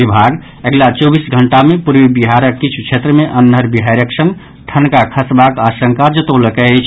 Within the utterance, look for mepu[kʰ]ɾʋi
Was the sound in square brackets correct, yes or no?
no